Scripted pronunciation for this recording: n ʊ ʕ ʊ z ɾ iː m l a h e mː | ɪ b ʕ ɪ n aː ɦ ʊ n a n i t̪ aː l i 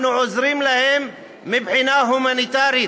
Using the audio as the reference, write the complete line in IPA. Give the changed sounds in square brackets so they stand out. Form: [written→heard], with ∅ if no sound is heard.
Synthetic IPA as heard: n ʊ ʕ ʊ z ɾ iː m l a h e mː | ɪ b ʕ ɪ n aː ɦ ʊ [n→m] a n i t̪ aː [l→ɾ] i